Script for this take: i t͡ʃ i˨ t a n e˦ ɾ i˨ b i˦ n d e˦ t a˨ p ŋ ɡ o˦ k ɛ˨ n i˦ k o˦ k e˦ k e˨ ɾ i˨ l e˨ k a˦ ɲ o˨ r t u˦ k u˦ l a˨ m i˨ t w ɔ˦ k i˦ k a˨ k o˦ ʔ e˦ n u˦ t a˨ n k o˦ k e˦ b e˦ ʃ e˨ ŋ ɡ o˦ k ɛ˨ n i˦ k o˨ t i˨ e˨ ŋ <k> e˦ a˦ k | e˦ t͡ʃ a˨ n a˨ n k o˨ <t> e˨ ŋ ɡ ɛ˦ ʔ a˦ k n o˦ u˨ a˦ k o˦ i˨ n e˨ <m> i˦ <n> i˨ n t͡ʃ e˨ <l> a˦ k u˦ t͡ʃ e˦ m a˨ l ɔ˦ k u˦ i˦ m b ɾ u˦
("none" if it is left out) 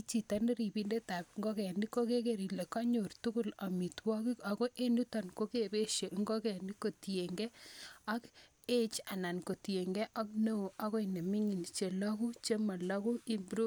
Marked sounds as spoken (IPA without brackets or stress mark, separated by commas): ɡ, t, m, ŋ, l